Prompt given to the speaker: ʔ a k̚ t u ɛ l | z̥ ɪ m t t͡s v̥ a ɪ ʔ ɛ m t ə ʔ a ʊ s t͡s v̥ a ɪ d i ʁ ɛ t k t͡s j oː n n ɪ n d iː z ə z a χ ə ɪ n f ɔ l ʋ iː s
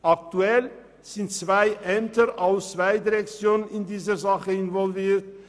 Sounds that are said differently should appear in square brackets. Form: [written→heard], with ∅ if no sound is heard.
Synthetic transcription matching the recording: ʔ a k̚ t u ɛ l | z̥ ɪ [m→n] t t͡s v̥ a ɪ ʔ ɛ m t ə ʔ a ʊ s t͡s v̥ a ɪ d i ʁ ɛ [t→∅] k t͡s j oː n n ɪ n d iː z ə z a χ ə ɪ n [f→v] ɔ l [ʋ→v] iː [s→t]